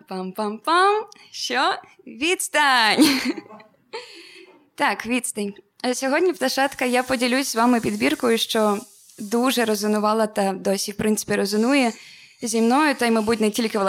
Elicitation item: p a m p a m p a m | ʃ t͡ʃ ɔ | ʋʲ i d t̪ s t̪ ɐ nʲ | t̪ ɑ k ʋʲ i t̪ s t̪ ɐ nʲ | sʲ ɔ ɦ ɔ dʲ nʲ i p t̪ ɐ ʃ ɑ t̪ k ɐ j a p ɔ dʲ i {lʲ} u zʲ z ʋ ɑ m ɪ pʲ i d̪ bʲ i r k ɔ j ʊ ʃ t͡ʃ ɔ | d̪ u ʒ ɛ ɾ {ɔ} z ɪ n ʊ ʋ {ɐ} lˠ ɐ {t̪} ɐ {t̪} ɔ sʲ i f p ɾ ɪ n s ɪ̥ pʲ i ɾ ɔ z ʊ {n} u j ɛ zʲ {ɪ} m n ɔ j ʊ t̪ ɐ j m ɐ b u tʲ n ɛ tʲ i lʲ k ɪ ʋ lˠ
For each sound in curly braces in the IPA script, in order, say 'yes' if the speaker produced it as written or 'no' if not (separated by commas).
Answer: yes, yes, no, yes, no, yes, no